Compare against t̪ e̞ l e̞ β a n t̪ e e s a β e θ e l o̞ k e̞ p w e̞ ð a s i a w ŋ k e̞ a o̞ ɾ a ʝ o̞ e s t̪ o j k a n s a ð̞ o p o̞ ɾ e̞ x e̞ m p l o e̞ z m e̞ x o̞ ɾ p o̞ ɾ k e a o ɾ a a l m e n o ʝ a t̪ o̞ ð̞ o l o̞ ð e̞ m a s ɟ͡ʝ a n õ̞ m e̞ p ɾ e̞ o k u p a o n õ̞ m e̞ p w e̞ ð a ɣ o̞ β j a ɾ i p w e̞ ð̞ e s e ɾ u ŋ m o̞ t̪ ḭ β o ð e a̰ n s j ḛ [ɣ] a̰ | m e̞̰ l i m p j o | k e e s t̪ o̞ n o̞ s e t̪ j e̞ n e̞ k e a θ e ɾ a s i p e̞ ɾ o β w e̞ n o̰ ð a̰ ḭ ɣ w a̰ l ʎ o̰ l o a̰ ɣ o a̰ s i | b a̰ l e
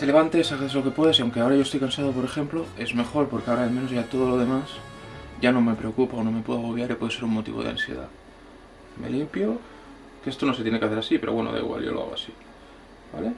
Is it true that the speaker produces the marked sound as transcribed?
no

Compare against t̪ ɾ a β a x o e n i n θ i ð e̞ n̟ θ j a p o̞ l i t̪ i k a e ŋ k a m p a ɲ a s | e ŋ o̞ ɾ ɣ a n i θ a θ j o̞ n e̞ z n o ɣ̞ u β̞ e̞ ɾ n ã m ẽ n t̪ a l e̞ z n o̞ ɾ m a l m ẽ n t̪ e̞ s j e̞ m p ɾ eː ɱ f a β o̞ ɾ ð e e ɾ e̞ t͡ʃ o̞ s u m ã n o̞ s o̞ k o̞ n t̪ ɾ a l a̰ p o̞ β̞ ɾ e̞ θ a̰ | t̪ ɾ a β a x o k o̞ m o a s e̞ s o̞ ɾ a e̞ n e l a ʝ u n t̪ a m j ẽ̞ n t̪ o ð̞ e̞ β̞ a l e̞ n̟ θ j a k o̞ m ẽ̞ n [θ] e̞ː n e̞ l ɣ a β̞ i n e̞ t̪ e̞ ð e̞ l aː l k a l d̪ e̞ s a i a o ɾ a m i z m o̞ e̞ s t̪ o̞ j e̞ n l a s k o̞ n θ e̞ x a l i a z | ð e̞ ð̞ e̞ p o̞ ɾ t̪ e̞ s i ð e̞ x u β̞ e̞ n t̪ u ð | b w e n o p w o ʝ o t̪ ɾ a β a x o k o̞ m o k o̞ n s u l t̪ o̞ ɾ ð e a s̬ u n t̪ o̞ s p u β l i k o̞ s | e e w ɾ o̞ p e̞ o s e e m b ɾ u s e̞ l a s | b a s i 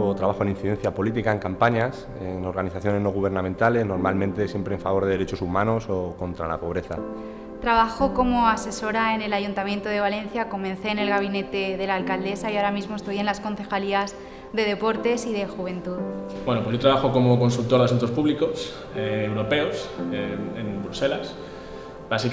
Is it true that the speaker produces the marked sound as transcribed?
yes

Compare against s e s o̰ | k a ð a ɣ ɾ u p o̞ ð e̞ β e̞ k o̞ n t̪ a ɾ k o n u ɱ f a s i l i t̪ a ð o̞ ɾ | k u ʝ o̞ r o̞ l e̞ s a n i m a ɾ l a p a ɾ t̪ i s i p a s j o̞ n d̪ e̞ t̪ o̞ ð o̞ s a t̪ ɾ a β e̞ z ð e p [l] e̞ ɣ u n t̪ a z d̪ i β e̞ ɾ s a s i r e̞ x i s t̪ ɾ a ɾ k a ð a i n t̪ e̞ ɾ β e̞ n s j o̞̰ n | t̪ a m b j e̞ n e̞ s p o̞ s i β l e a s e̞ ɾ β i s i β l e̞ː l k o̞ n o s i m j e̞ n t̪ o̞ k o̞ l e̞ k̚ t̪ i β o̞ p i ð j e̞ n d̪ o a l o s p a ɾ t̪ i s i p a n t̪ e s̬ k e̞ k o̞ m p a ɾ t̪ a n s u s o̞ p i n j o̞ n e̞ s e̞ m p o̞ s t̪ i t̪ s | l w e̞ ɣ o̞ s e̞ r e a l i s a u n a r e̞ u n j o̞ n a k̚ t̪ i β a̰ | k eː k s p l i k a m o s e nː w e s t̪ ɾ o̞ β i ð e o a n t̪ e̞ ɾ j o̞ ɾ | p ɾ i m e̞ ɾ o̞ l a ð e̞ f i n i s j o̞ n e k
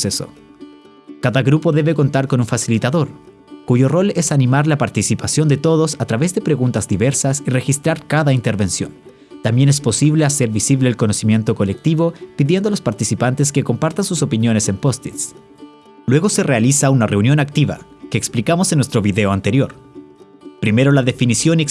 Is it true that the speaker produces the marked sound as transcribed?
no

